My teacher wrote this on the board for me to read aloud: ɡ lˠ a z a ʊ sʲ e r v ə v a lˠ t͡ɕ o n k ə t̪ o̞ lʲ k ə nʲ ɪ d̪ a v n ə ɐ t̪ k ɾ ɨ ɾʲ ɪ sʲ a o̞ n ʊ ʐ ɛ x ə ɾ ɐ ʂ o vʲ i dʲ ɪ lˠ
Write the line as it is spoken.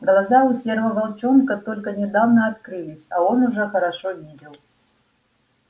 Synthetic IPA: ɡ lˠ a z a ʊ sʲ e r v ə v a lˠ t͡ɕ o n k ə t̪ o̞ lʲ k ə nʲ ɪ d̪ a v n ə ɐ t̪ k ɾ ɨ lʲ ɪ sʲ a o̞ n ʊ ʐ ɛ x ə ɾ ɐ ʂ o vʲ i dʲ ɪ lˠ